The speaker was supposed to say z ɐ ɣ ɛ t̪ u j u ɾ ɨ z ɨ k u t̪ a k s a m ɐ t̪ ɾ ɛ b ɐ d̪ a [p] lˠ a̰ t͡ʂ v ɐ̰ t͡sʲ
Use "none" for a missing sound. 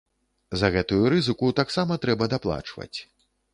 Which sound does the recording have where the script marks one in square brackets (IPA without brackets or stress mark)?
p